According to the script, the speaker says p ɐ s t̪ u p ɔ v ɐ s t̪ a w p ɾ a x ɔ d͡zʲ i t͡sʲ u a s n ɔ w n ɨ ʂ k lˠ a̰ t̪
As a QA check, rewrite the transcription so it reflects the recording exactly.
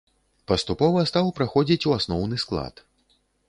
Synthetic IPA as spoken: p ɐ s t̪ u p ɔ v ɐ s t̪ a w p ɾ a x ɔ d͡zʲ i t͡sʲ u a s n ɔ w n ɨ s k lˠ a̰ t̪